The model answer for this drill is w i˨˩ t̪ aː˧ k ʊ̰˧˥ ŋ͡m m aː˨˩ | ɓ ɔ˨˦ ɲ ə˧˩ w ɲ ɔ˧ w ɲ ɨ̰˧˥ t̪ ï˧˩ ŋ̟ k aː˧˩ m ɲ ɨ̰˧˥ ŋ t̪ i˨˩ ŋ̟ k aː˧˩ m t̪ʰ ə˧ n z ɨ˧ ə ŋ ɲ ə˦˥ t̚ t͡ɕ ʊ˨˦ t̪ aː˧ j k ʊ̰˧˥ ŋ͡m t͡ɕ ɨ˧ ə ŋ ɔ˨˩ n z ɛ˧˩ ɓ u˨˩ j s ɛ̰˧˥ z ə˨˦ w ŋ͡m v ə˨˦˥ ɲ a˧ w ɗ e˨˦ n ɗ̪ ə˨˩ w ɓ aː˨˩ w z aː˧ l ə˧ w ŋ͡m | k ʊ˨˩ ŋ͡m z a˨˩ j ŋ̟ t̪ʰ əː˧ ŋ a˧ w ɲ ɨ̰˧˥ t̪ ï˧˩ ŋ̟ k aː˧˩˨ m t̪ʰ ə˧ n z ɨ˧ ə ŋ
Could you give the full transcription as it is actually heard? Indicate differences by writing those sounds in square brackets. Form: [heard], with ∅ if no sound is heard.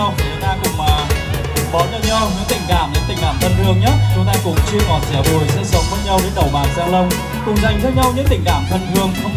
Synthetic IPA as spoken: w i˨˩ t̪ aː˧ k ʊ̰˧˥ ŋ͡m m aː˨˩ | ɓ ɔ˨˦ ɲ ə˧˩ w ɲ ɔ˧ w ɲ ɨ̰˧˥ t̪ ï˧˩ ŋ̟ k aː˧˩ m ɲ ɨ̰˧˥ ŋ t̪ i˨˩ ŋ̟ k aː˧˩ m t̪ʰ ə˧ n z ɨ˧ ə ŋ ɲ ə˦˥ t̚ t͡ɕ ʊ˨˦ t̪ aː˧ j k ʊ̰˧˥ ŋ͡m t͡ɕ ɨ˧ ə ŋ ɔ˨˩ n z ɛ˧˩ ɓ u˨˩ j s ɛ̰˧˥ [s] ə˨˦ w ŋ͡m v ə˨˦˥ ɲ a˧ w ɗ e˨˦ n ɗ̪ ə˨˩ w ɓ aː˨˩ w z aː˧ l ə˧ w ŋ͡m | k ʊ˨˩ ŋ͡m z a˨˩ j ŋ̟ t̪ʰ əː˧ [ɲ] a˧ w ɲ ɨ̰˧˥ t̪ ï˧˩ ŋ̟ k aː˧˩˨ m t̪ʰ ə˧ n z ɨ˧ ə ŋ

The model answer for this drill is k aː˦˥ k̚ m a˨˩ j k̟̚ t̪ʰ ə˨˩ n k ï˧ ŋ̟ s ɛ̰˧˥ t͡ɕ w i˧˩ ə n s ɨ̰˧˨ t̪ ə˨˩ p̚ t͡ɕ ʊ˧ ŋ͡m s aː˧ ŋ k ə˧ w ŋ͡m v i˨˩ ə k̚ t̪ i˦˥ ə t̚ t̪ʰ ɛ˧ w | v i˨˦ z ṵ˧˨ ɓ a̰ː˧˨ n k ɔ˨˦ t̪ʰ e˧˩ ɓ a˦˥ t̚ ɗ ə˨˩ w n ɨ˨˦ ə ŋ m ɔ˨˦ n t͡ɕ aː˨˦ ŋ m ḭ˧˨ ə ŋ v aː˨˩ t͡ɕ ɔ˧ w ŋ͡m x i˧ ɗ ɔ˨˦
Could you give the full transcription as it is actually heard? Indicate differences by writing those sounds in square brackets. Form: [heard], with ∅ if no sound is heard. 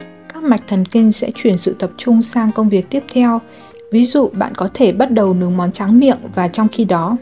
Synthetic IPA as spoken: k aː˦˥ k̚ m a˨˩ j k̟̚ t̪ʰ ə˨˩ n k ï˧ ŋ̟ s ɛ̰˧˥ t͡ɕ w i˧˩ ə n s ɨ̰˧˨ t̪ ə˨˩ p̚ t͡ɕ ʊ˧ ŋ͡m s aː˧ ŋ k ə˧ w ŋ͡m v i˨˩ ə k̚ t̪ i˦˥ ə [p̚] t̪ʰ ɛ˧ w | v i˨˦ z ṵ˧˨ ɓ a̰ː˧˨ n k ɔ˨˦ t̪ʰ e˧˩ ɓ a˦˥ t̚ ɗ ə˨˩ w n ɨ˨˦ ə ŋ m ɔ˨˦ n t͡ɕ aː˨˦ ŋ m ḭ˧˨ ə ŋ v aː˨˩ t͡ɕ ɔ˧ w ŋ͡m x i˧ ɗ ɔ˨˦

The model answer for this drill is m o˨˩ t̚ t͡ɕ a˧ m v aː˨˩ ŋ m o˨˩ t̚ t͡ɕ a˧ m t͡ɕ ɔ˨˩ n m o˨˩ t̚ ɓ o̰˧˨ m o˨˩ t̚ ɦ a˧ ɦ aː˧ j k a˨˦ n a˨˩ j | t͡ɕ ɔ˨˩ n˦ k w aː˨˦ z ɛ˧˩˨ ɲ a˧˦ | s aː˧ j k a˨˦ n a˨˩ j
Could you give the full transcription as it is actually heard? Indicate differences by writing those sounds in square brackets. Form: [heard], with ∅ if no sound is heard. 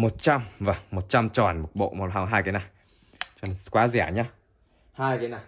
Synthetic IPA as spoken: m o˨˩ t̚ t͡ɕ a˧ m v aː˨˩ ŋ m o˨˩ t̚ t͡ɕ a˧ m t͡ɕ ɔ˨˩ n m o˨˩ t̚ ɓ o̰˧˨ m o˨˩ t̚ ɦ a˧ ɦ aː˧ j k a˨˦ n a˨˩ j | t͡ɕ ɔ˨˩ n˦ k w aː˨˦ z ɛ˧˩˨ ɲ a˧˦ | [h] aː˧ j k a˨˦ n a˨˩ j

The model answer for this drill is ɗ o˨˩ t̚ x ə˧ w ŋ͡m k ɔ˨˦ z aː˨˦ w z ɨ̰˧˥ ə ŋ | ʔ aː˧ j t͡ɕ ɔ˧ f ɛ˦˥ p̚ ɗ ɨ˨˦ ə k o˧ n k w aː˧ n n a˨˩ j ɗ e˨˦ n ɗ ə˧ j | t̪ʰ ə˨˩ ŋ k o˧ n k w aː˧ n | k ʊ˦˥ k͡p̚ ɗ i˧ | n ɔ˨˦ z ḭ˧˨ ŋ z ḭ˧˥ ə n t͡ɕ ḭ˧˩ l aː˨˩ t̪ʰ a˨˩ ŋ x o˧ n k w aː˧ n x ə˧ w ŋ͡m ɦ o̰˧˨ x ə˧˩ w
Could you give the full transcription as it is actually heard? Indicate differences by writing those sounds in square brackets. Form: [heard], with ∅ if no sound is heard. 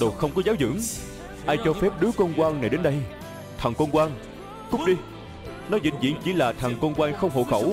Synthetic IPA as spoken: ɗ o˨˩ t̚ x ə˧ w ŋ͡m k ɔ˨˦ z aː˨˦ w z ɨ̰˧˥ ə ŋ | ʔ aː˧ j t͡ɕ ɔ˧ f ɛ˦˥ p̚ ɗ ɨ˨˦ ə k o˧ n k w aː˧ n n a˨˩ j ɗ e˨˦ n ɗ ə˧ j | t̪ʰ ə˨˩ ŋ k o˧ n k w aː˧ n | k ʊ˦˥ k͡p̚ ɗ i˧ | n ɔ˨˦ z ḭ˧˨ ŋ z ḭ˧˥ ə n t͡ɕ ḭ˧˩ l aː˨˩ t̪ʰ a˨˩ ŋ [k] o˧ n k w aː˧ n x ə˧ w ŋ͡m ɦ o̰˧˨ x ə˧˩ w

